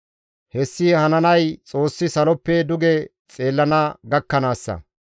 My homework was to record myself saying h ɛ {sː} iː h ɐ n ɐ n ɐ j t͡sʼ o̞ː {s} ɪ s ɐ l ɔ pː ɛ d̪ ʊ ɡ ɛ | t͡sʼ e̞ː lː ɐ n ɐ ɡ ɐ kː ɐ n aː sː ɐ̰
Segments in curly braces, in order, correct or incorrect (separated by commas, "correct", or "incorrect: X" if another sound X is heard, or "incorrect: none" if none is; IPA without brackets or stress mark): correct, incorrect: sː